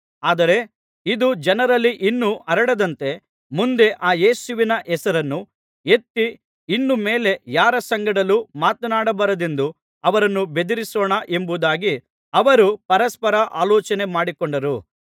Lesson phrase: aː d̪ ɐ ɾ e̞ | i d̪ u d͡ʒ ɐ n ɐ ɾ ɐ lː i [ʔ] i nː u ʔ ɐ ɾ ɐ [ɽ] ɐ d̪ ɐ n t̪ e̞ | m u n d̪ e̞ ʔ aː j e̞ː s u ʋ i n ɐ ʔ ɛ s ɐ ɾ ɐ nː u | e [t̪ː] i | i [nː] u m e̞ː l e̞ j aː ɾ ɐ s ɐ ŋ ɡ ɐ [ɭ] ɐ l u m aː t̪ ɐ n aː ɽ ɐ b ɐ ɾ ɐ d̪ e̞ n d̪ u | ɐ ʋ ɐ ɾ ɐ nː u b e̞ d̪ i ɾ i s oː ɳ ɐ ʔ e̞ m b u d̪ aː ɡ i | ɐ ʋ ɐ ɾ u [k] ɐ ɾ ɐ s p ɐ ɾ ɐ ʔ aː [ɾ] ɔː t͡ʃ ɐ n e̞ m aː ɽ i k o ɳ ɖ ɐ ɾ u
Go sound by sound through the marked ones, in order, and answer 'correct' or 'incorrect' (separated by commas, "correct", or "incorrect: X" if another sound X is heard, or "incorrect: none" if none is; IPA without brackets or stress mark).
correct, correct, correct, correct, incorrect: ɽ, incorrect: p, incorrect: l